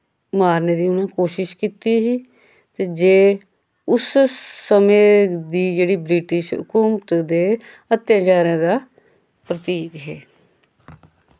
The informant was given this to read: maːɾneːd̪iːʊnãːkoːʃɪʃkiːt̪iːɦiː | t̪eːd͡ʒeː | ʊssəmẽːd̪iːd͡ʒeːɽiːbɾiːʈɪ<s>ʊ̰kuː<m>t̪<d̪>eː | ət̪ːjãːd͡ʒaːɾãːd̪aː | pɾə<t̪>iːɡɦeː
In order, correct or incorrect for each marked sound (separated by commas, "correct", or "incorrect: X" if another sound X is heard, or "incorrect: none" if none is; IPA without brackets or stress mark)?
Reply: incorrect: ʃ, correct, correct, correct